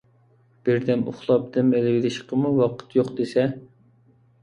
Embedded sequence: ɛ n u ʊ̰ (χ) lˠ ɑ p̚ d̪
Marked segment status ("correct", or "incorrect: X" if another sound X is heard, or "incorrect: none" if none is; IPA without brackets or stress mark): correct